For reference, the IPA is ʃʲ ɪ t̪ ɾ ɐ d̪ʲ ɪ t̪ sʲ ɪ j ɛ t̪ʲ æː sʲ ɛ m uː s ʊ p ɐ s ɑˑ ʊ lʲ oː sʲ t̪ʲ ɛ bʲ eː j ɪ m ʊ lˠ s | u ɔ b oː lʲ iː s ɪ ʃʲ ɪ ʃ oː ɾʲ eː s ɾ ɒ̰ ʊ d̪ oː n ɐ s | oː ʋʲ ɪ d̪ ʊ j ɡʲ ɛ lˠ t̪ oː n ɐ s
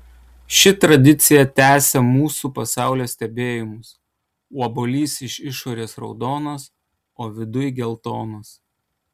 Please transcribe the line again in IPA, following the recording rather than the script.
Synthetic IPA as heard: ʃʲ ɪ t̪ ɾ ɐ d̪ʲ ɪ t̪ sʲ ɪ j ɛ t̪ʲ æː sʲ ɛ m uː s u p ɐ s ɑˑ ʊ lʲ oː sʲ t̪ʲ ɛ bʲ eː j ɪ m ʊ s | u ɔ b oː lʲ iː s ɪ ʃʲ ɪ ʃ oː ɾʲ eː s ɾ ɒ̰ ʊ d̪ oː n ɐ s | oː ʋʲ ɪ d̪ ʊ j ɡʲ ɛ lˠ t̪ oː n ɐ s

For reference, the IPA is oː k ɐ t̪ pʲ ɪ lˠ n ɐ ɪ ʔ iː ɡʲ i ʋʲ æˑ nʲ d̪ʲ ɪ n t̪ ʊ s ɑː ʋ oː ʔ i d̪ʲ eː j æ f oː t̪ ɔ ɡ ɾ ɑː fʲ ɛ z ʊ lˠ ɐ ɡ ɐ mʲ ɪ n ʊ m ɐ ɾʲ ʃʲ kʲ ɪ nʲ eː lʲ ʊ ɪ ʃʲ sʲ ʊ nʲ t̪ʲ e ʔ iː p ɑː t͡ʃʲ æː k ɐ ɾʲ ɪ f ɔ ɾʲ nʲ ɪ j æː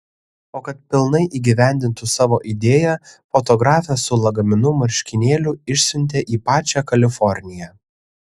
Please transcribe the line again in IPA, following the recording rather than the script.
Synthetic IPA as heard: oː k ɐ t̪ pʲ ɪ lˠ n ɐ ɪ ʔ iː ɡʲ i ʋʲ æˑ nʲ d̪ʲ ɪ n t̪ ʊ s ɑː ʋ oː ʔ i d̪ʲ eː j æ f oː t̪ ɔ ɡ ɾ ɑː fʲ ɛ s ʊ lˠ ɐ ɡ ɐ mʲ ɪ n ʊ m ɐ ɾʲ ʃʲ kʲ ɪ nʲ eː lʲ ʊ ɪ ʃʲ sʲ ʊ nʲ t̪ʲ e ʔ iː p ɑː t͡ʃʲ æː k ɐ lʲ ɪ f ɔ ɾʲ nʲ ɪ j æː

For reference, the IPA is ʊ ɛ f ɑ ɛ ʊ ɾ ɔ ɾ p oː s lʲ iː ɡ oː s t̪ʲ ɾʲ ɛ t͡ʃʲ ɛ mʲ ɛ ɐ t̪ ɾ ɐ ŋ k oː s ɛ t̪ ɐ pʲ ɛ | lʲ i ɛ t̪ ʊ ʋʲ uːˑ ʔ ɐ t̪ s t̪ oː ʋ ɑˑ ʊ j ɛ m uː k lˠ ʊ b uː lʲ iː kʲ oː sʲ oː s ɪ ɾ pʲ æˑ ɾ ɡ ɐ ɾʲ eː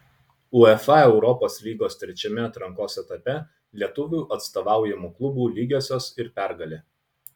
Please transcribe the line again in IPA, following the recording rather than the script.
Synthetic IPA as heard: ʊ ɛ f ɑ ɛ ʊ ɾ ɔ p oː s lʲ iː ɡ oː s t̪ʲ ɾʲ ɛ t͡ʃʲ ɛ mʲ ɛ ɐ t̪ ɾ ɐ ŋ k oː s ɛ t̪ ɐ pʲ ɛ | lʲ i ɛ t̪ ʊ ʋʲ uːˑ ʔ ɐ t̪ s t̪ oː ʋ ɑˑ ʊ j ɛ m uː k lˠ ʊ b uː lʲ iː ɡʲ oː sʲ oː s ɪ ɾ pʲ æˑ ɾ ɡ ɐ lʲ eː

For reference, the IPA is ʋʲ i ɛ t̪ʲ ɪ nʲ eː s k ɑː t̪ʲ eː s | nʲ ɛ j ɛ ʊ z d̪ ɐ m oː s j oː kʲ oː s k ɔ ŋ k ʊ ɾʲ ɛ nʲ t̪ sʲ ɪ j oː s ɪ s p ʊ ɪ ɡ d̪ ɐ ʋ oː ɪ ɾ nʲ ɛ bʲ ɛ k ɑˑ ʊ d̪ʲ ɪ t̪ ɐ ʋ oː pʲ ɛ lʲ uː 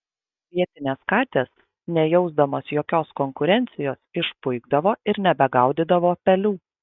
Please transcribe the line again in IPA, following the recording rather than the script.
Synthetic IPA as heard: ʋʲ i ɛ t̪ʲ ɪ nʲ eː s k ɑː t̪ʲ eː s | nʲ ɛ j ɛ ʊ z d̪ ɐ m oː s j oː kʲ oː s k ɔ ŋ k ʊ ɾʲ ɛ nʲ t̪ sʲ ɪ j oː s ɪ ʃ p ʊ ɪ ɡ d̪ ɐ ʋ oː ɪ ɾ nʲ ɛ bʲ ɛ ɡ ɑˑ ʊ d̪ʲ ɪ d̪ ɐ ʋ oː pʲ ɛ lʲ uː

